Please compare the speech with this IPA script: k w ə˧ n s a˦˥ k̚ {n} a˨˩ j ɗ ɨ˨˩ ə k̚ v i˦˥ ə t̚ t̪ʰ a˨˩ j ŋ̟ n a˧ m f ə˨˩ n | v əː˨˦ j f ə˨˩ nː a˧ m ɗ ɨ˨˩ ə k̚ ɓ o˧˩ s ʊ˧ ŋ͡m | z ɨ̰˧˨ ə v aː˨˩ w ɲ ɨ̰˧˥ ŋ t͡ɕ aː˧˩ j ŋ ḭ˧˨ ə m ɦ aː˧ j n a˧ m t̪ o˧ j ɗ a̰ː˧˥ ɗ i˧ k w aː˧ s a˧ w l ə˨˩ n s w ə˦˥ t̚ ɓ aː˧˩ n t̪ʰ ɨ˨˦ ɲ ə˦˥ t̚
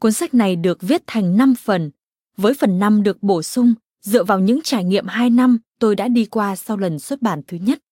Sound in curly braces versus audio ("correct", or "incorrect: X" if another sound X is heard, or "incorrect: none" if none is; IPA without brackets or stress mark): correct